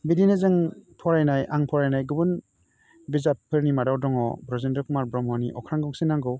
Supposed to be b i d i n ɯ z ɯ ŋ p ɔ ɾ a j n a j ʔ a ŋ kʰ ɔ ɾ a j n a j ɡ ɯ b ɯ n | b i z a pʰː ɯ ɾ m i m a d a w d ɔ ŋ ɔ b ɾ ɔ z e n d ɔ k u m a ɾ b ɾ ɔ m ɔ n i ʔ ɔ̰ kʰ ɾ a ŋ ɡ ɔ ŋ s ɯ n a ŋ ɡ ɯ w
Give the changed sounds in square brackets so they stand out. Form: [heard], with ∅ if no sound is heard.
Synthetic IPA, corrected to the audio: b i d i n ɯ z ɯ ŋ [pʰ] ɔ ɾ a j n a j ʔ a ŋ [pʰ] ɔ ɾ a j n a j ɡ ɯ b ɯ n | b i z a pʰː ɯ ɾ [n] i m a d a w d ɔ ŋ ɔ b ɾ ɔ z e n d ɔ k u m a ɾ b ɾ ɔ m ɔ n i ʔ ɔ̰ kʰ ɾ a ŋ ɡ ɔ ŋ s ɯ n a ŋ ɡ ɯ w